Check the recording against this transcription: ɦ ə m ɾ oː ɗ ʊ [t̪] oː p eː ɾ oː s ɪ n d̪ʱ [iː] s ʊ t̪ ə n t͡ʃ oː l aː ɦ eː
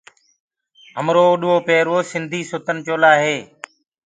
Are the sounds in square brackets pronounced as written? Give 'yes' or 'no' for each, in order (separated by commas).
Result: no, yes